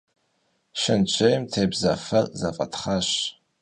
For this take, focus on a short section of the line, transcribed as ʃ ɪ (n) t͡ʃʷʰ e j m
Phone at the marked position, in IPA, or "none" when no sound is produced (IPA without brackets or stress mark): n